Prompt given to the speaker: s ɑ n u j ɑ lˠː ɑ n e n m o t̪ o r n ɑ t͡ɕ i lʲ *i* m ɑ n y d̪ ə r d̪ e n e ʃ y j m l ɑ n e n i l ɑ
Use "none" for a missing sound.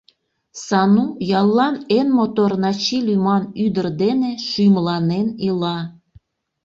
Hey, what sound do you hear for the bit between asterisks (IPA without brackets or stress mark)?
y